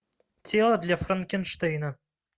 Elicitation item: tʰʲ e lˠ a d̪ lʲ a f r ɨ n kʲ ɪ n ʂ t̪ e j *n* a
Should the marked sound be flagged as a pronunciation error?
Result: no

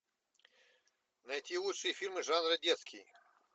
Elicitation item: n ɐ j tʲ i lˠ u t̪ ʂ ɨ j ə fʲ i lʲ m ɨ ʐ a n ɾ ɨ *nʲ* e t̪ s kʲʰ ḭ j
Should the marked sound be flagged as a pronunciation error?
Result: yes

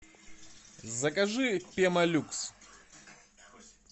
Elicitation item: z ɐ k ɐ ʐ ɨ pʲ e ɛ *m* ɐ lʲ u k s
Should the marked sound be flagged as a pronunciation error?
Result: no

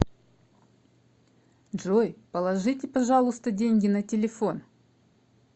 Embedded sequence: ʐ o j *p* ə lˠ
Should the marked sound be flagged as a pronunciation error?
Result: no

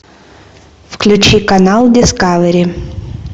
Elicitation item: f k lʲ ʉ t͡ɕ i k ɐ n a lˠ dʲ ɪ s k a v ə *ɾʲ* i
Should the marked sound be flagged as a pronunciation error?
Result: no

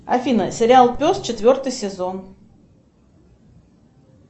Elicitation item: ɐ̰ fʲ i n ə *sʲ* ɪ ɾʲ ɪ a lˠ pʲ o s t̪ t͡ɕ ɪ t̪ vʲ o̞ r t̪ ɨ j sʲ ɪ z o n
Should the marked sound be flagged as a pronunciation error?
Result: no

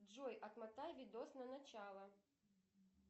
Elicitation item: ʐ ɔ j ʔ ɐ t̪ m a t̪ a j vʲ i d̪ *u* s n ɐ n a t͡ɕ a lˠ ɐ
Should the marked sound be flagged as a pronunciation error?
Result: yes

